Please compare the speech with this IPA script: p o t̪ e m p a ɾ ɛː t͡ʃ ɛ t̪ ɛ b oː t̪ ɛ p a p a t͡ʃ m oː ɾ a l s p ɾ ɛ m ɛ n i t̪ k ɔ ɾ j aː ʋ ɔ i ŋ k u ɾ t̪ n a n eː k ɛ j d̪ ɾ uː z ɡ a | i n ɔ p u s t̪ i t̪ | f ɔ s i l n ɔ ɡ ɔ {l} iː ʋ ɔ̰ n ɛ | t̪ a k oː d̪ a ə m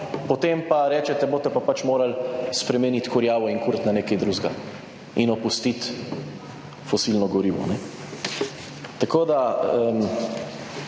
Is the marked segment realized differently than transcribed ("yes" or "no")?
yes